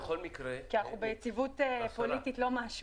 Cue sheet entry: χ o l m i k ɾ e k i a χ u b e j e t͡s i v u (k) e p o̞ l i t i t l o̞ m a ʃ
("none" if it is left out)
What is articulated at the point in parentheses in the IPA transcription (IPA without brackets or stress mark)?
t